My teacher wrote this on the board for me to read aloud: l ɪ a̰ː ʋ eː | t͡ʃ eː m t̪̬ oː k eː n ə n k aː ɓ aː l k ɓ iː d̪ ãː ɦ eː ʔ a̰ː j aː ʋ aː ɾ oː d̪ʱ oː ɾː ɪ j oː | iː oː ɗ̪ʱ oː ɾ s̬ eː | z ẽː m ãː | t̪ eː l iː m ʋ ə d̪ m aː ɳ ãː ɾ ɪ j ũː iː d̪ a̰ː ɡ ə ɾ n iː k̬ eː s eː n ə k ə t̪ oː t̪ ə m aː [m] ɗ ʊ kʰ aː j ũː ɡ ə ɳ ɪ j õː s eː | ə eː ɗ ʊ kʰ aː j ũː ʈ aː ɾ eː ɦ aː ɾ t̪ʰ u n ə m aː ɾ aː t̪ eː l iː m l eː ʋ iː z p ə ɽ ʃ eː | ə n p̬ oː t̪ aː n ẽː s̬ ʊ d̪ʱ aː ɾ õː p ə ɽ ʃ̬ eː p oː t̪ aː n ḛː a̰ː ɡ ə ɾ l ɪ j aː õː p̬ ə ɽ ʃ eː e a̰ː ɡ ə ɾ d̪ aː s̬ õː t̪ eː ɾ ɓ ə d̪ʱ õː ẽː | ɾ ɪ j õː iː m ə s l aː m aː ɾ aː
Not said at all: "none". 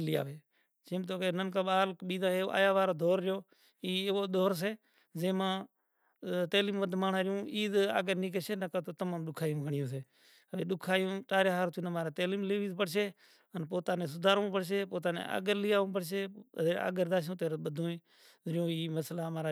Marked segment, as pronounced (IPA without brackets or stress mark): m